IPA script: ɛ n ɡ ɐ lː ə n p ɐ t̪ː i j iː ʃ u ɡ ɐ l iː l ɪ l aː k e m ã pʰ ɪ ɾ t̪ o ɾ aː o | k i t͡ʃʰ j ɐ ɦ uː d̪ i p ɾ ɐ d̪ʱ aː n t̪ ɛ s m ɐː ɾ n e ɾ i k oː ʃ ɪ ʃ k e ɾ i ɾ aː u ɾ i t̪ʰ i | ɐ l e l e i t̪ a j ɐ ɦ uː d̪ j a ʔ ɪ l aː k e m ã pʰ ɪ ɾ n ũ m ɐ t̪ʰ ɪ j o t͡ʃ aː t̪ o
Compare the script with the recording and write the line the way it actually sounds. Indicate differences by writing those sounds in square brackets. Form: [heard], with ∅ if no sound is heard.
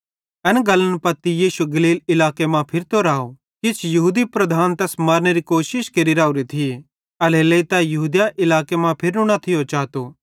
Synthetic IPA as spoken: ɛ n ɡ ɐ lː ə n p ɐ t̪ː i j iː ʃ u ɡ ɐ l iː l ɪ l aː k e m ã pʰ ɪ ɾ t̪ o ɾ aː o | k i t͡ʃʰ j ɐ ɦ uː d̪ i p ɾ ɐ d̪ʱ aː n t̪ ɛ s m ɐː ɾ n e ɾ i k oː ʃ ɪ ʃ k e ɾ i ɾ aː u ɾ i t̪ʰ i | ɐ l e l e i t̪ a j ɐ ɦ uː d̪ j a ʔ ɪ l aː k e m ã pʰ ɪ ɾ n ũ [n] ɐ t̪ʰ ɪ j o t͡ʃ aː t̪ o